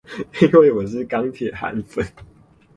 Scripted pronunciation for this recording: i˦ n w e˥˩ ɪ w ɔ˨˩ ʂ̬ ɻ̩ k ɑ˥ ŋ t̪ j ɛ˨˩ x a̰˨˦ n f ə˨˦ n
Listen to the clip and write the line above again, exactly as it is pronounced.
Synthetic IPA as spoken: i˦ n w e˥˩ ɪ w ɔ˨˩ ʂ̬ ɻ̩ k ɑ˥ ŋ t̪ʰ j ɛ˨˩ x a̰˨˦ n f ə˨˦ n